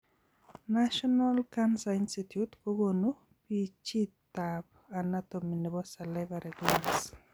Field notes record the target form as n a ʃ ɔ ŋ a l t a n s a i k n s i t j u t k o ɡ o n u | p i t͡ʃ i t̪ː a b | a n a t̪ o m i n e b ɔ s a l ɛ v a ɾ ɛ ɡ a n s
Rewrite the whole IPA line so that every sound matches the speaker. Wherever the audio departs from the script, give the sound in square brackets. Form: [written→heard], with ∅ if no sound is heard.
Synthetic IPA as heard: n a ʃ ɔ [ŋ→n] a l [t→k] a n s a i [k→∅] n s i t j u t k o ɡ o n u | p i t͡ʃ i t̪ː a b | a n a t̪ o m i n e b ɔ s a l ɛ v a ɾ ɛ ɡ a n s